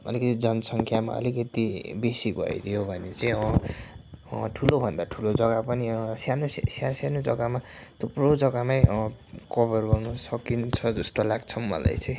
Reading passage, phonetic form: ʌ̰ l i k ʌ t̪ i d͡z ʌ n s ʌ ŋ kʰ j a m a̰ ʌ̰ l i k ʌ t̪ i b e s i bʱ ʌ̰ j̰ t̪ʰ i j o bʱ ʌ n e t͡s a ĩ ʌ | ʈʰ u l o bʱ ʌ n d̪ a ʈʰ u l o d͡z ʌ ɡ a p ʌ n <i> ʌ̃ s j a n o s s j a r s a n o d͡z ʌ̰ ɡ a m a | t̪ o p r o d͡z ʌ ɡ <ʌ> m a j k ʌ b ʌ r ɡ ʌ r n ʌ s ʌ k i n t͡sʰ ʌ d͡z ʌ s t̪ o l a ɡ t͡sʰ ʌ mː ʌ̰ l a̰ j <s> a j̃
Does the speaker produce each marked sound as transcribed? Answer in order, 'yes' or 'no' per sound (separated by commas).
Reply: yes, no, no